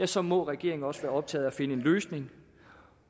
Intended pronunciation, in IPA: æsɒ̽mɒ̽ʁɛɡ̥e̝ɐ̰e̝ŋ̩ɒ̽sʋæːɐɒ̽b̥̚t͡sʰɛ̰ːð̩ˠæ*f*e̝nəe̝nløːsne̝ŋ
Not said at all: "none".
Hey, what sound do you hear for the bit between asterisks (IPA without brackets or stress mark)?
f